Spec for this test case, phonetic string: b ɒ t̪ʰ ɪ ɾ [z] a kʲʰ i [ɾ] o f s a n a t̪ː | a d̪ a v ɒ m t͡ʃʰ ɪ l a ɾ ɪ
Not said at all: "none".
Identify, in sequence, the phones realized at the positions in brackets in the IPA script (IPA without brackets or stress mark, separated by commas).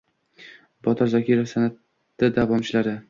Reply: z, ɾ